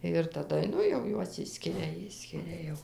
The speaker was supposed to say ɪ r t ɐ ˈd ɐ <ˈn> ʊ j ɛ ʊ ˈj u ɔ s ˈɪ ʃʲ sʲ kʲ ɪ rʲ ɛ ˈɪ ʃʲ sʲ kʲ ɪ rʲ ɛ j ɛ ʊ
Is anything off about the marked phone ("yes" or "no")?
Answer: no